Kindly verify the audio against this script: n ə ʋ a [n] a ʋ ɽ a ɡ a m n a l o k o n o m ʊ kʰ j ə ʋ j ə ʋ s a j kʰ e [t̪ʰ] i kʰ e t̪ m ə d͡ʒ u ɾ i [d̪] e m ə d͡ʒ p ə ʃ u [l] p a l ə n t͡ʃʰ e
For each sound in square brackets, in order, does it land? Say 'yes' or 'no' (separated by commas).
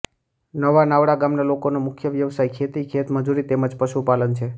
yes, no, no, no